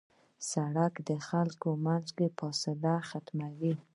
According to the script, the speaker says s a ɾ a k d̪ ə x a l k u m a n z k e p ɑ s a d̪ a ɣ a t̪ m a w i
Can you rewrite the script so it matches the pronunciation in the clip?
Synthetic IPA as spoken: s a ɽ a k d̪ ə x a l k o m a n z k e p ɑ s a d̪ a x a t̪ m a w i